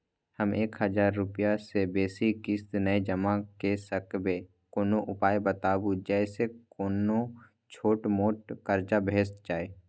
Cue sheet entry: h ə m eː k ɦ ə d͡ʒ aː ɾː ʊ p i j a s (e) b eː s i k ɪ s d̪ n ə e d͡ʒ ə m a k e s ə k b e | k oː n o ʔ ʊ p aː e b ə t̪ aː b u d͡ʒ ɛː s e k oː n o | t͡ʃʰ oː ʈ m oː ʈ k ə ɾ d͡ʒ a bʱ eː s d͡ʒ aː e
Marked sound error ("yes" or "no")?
no